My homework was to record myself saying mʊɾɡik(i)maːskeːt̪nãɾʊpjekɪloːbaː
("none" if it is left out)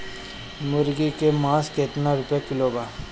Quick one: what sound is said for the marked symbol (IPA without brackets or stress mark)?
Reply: e